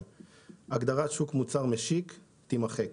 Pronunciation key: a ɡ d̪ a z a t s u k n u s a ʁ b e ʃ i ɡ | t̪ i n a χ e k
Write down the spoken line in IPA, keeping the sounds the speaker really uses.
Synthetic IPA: a ɡ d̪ a ʁ a t ʃ u k m u t͡s a ʁ m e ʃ i k | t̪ i m a χ e k